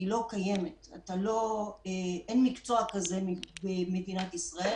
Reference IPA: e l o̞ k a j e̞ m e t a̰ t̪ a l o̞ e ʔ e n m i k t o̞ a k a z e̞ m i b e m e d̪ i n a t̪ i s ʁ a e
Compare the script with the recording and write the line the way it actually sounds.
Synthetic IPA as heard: i l o̞ k a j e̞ m e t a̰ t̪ a l o̞ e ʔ e n m i k t͡s o̞ a k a z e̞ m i b e m e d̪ i n a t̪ i s ʁ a e

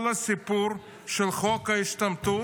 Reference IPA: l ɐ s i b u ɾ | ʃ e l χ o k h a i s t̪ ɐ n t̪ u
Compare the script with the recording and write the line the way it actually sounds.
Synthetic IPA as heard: l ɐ s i p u ɾ | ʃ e l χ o k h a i ʃ t̪ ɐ m t̪ u

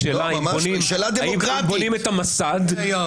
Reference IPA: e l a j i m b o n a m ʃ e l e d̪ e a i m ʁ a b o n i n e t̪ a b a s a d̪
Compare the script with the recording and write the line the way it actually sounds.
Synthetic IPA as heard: e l a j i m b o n i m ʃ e l a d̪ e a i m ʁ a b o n i m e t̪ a m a s a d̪

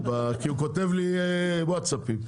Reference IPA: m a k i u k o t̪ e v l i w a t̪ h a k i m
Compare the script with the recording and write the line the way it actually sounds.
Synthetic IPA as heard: b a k i u k o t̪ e v l i w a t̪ s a p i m

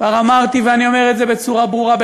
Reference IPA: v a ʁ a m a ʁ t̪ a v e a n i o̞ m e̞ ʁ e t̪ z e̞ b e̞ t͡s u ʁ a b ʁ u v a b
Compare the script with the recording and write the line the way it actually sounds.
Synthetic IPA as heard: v a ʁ a m a ʁ t̪ i v e a n i o̞ m e̞ ʁ e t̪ z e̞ b e̞ t͡s u ʁ a b ʁ u ʁ a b

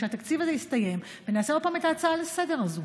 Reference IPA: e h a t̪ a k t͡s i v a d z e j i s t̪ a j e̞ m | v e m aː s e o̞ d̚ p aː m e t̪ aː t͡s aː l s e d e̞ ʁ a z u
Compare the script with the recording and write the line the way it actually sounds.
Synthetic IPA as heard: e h a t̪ a k t͡s i v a z e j i s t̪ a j e̞ m | v e n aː s e o̞ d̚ p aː m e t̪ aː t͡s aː l s e d e̞ ʁ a z u

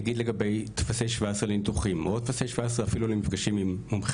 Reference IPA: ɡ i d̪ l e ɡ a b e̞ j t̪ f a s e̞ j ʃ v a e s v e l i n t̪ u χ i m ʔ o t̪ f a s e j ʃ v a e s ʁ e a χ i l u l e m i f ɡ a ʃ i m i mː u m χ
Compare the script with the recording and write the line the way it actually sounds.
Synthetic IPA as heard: ɡ i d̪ l e ɡ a b e̞ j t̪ f a s e̞ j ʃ v a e s ʁ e l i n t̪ u χ i m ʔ o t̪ f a s e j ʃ v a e s ʁ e a f i l u l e m i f ɡ a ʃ i m i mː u m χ

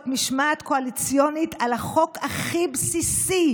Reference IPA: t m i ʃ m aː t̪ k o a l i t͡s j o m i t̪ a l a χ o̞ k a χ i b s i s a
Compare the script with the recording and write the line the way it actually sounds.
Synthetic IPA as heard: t m i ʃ m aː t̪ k o a l i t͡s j o n i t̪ a l a χ o̞ k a χ i b s i s i

